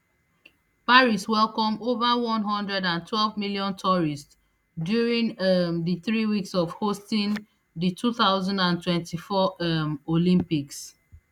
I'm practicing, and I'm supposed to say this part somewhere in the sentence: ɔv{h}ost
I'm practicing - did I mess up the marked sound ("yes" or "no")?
no